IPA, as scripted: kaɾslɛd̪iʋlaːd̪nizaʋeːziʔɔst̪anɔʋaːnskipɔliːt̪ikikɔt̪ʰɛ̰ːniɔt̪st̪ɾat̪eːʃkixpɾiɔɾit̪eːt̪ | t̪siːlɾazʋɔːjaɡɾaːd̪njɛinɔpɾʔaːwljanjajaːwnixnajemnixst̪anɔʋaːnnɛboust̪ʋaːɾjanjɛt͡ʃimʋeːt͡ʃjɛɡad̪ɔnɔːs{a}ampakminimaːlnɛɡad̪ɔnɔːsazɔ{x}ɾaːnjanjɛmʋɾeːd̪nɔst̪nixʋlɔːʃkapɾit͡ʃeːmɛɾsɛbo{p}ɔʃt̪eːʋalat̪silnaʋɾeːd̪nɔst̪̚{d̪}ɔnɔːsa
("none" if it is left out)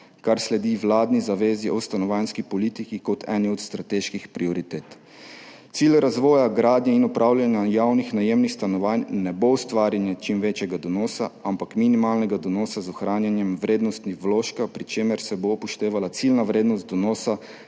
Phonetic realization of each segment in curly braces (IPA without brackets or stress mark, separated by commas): a, x, p, d̪